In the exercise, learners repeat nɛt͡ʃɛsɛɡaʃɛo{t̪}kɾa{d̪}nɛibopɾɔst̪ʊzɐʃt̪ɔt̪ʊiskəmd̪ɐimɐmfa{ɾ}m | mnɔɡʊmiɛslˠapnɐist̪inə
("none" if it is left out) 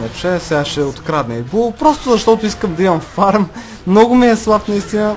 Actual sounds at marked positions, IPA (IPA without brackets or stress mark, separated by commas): t̪, d̪, ɾ